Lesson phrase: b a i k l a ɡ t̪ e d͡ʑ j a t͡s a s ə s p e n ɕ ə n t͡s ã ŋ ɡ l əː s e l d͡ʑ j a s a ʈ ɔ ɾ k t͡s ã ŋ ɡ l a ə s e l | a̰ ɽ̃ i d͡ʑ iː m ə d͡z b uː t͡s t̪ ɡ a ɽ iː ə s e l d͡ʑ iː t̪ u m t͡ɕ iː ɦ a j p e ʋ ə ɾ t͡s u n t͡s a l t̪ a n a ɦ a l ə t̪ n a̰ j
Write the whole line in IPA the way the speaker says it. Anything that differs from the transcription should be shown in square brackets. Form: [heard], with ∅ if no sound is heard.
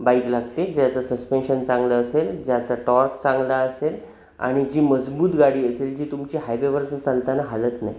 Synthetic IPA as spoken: b a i k l a ɡ t̪ e d͡ʑ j a t͡s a s ə s p e n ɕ ə n t͡s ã ŋ ɡ l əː s e l d͡ʑ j a [t͡s] a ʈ ɔ ɾ k t͡s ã ŋ ɡ l a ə s e l | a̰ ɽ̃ i d͡ʑ iː m ə d͡z b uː [∅] t̪ ɡ a ɽ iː ə s e l d͡ʑ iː t̪ u m t͡ɕ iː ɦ a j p e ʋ ə ɾ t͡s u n t͡s a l t̪ a n a ɦ a l ə t̪ n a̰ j